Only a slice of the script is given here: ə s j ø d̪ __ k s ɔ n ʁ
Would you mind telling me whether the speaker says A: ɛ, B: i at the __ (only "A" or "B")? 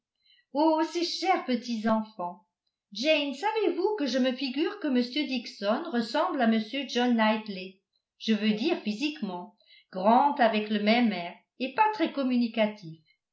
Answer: B